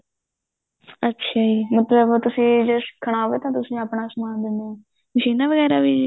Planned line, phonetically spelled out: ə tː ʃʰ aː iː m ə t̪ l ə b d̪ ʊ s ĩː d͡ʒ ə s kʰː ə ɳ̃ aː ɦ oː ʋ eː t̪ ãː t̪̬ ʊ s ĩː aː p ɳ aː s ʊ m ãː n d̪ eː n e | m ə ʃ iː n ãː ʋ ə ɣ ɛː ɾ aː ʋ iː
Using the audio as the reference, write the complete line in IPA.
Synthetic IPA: ə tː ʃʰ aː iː m ə t̪ l ə b t̪ ʊ s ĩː d͡ʒ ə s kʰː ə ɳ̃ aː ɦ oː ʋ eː t̪ ãː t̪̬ ʊ s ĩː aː p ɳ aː s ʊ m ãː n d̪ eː n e | m ə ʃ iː n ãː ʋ ə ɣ ɛː ɾ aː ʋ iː